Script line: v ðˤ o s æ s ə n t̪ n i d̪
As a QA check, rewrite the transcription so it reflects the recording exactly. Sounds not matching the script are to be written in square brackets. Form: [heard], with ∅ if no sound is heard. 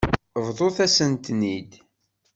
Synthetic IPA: v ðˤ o [θ] æ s ə n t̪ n i d̪